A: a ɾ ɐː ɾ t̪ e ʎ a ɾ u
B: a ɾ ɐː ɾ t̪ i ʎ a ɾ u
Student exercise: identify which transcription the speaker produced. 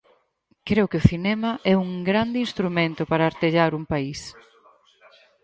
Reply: A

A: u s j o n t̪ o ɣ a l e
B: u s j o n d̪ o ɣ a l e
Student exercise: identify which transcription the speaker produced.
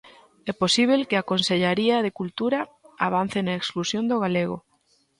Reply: B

